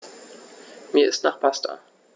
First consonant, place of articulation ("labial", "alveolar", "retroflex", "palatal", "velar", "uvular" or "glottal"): labial